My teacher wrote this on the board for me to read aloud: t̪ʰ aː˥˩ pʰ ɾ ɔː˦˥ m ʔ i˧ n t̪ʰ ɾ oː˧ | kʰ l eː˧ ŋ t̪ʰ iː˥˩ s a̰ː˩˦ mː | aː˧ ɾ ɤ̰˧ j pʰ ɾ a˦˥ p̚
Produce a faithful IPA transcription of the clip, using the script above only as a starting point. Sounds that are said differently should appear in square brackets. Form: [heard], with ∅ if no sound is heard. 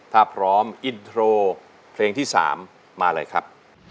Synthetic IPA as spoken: t̪ʰ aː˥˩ pʰ ɾ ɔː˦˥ m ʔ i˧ n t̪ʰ ɾ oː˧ | [pʰ] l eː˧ ŋ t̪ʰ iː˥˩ s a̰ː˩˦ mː | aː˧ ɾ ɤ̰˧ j [kʰ] ɾ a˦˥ p̚